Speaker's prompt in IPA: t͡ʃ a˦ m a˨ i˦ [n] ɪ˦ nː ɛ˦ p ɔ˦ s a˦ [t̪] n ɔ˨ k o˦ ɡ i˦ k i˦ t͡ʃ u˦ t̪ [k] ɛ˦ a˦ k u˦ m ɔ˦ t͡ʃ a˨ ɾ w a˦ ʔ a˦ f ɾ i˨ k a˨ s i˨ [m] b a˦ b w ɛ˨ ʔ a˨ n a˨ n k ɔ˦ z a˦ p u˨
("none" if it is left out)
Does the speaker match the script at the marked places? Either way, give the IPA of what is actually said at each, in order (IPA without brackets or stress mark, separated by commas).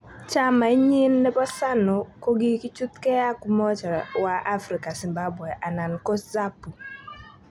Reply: ɲ, none, k, m